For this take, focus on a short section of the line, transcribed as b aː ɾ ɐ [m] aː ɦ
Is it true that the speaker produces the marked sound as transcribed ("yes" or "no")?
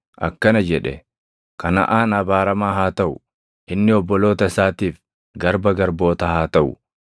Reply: yes